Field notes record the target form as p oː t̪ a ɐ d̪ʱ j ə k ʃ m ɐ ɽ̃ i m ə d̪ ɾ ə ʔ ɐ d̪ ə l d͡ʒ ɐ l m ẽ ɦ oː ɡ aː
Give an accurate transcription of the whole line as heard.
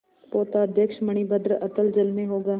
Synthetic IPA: p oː t̪ a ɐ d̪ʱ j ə k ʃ m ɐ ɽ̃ i b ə d̪ ɾ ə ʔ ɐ t̪ ə l d͡ʒ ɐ l m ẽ ɦ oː ɡ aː